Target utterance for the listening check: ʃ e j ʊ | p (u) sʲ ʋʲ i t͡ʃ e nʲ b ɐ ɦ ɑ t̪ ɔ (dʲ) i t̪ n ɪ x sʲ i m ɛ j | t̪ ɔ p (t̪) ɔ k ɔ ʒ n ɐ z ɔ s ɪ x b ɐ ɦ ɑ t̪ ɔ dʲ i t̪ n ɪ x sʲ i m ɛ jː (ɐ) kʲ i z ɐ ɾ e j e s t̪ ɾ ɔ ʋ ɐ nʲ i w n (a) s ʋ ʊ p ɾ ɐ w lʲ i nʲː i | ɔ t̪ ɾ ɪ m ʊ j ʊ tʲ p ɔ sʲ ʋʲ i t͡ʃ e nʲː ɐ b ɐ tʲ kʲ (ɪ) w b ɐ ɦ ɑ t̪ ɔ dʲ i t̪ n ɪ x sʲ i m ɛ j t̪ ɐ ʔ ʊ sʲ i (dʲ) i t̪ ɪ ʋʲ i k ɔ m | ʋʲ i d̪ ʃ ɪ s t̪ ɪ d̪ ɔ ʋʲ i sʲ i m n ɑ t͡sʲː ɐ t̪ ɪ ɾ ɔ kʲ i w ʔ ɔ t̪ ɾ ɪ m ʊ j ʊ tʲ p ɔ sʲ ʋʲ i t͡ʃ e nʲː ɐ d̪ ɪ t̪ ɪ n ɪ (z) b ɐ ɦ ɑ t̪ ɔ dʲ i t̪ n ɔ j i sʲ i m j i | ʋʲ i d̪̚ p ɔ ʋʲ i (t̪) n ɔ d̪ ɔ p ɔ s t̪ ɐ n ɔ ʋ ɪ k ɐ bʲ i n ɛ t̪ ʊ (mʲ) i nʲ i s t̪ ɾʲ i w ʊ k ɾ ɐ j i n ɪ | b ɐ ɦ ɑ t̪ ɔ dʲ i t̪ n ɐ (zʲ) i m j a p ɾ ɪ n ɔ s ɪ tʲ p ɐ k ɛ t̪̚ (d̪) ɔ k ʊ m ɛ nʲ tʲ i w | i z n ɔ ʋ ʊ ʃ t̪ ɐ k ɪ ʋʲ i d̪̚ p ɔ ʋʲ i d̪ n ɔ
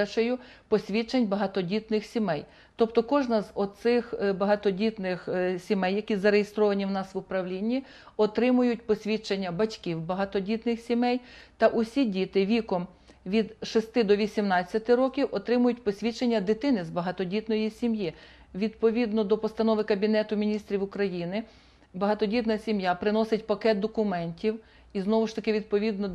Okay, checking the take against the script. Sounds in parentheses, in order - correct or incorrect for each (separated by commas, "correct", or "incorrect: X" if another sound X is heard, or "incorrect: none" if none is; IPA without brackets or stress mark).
incorrect: ɔ, correct, correct, correct, incorrect: ɑ, incorrect: i, correct, correct, incorrect: d̪, correct, incorrect: sʲ, correct